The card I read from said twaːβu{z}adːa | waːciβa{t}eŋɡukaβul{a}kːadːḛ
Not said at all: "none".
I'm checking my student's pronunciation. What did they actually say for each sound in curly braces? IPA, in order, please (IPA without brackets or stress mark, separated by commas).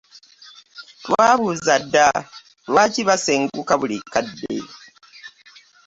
z, s, i